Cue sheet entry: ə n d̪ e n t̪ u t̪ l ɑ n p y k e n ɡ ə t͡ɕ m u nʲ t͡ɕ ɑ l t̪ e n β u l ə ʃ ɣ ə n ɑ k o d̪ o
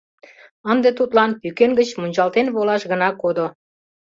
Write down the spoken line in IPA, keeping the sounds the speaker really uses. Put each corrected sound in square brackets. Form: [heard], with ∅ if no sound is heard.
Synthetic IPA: ə n d̪ e [∅] t̪ u t̪ l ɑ n p y k e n ɡ ə t͡ɕ m u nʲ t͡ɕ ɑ l t̪ e n β [o] l [ɑ] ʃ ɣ ə n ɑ k o d̪ o